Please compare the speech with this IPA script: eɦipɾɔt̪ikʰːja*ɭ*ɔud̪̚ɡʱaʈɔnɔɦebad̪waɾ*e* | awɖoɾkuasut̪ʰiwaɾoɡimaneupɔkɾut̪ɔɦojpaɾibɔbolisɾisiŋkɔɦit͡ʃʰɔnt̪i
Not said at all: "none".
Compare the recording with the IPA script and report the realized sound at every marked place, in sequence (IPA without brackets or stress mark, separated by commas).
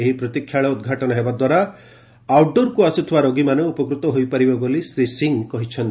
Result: ɭ, a